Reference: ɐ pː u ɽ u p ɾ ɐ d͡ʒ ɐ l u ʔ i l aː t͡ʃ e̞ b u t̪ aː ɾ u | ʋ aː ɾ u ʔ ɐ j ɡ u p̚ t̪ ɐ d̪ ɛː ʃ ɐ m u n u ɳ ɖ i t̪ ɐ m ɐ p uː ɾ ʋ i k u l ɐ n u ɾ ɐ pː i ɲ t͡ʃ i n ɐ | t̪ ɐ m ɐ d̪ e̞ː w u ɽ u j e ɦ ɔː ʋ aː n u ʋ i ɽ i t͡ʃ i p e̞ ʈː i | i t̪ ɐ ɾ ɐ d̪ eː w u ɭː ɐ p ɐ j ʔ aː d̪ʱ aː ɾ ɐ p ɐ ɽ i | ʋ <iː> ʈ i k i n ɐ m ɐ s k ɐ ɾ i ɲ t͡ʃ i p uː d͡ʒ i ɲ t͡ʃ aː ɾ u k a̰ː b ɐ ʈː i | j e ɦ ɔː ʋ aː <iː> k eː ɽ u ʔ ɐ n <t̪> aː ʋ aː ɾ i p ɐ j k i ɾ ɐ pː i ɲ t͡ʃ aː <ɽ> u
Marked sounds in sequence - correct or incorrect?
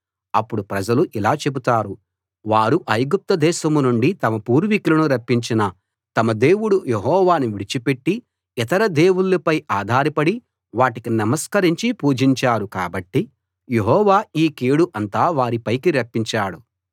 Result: incorrect: aː, correct, correct, correct

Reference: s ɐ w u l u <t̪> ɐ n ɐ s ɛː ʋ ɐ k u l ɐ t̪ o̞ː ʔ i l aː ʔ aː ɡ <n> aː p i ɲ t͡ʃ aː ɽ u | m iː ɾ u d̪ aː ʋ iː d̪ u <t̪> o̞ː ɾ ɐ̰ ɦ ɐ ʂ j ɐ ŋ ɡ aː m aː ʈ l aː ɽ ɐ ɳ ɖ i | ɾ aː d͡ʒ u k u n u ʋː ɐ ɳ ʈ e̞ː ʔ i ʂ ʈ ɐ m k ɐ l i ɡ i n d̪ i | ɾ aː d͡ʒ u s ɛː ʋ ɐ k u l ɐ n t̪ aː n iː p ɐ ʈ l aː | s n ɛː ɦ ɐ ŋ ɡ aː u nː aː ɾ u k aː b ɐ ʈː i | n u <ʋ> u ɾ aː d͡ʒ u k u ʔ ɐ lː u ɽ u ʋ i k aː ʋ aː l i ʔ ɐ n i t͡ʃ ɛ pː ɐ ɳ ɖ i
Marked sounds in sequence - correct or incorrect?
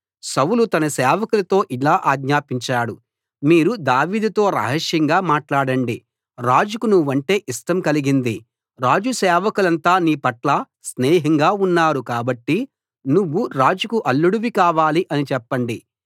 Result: correct, incorrect: ɲ, correct, incorrect: ʋː

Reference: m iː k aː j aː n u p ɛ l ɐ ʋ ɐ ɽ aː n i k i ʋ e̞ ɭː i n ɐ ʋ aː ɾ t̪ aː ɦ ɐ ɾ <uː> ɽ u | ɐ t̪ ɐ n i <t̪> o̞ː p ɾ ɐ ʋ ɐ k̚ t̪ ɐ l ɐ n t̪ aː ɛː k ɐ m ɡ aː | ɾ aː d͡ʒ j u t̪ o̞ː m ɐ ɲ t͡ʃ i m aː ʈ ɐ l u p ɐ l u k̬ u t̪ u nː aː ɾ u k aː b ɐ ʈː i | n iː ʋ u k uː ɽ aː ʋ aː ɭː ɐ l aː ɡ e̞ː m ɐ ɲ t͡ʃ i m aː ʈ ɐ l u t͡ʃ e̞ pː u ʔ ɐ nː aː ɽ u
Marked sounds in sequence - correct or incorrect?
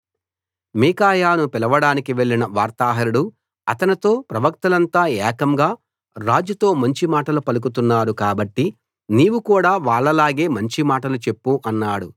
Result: incorrect: u, correct

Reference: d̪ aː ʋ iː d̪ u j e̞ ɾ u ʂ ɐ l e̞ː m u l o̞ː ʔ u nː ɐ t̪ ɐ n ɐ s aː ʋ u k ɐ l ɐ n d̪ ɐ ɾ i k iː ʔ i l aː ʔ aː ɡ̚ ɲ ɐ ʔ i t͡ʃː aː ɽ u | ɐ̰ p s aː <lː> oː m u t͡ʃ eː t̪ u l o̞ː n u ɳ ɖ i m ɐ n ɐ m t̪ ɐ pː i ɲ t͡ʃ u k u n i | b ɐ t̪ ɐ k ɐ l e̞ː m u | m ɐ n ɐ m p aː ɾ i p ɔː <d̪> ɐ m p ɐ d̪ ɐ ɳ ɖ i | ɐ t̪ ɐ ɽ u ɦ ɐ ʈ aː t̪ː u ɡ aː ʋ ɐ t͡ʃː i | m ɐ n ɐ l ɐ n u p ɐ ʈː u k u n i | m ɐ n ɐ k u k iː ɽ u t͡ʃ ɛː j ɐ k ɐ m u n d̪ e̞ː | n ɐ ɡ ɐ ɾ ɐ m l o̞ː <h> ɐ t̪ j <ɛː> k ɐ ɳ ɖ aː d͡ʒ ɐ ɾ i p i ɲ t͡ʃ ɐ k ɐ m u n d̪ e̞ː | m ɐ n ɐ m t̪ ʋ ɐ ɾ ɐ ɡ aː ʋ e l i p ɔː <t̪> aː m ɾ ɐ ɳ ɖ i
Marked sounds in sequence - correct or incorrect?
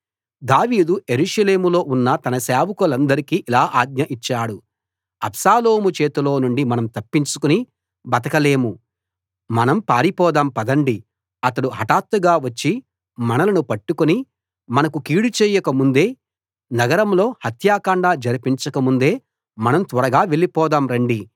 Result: incorrect: l, correct, correct, incorrect: aː, incorrect: d̪

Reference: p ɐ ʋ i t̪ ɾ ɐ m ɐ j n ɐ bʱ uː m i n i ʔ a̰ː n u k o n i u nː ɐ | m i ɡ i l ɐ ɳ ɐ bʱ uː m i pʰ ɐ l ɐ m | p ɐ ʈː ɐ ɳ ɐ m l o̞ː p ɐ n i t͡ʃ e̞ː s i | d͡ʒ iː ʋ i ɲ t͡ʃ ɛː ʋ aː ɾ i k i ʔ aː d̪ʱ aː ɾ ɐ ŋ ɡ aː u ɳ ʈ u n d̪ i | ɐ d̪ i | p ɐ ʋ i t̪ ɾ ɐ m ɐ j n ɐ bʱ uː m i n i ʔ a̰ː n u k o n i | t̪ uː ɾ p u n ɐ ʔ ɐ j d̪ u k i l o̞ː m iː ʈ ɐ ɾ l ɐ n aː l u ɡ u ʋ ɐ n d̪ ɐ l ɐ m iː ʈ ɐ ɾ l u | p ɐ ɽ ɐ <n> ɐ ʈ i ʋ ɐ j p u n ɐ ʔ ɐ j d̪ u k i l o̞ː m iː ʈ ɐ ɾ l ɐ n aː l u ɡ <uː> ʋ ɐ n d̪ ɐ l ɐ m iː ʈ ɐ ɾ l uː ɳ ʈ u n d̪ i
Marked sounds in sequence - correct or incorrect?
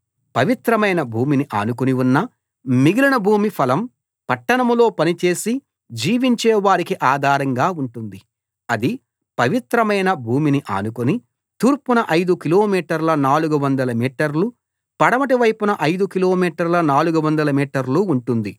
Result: incorrect: m, incorrect: u

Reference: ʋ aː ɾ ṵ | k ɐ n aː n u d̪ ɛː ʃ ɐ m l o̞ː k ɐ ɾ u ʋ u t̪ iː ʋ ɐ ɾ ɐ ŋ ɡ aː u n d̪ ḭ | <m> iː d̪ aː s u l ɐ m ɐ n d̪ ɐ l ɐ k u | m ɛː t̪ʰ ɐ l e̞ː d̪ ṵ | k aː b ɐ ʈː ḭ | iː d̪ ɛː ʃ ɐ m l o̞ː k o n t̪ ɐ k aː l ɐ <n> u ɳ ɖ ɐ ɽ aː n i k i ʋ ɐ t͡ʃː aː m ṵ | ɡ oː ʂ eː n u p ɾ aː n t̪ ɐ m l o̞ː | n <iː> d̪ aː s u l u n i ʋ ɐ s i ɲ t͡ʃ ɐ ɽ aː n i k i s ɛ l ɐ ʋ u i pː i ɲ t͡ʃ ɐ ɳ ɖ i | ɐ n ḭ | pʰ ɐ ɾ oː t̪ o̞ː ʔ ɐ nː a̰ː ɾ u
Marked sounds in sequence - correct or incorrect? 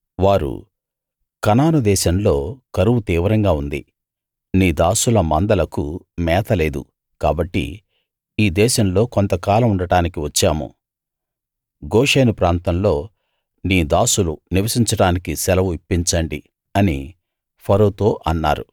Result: incorrect: n, incorrect: m, correct

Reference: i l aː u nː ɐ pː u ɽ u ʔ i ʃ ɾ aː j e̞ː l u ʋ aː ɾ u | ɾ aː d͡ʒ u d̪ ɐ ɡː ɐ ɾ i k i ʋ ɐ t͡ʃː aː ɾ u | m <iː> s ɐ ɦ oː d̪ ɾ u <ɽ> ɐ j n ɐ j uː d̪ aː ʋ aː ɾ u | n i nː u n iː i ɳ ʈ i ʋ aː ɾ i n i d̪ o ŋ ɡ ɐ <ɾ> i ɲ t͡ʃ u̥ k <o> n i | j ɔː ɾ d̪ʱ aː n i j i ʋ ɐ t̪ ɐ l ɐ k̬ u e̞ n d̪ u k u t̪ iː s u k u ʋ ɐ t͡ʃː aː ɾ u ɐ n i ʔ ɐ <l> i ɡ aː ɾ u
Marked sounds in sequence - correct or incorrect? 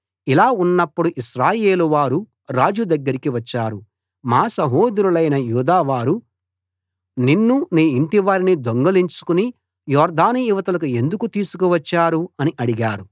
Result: incorrect: aː, incorrect: l, incorrect: l, incorrect: u, incorrect: ɽ

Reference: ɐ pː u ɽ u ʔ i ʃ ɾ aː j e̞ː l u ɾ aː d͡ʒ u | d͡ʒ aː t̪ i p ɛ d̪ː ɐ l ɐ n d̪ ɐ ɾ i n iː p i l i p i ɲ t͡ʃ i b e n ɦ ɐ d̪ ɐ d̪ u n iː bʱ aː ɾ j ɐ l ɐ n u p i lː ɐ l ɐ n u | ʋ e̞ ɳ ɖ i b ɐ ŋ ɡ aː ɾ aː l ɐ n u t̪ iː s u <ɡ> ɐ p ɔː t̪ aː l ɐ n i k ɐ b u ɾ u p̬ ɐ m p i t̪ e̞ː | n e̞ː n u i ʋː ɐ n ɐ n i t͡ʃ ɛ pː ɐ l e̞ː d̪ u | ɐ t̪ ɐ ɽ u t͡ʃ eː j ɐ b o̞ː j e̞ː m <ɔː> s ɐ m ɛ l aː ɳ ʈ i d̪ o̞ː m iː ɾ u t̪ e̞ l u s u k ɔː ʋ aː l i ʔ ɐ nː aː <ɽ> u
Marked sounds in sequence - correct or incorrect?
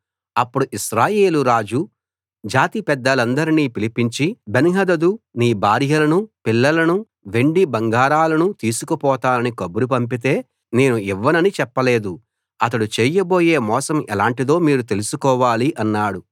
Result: incorrect: k, correct, correct

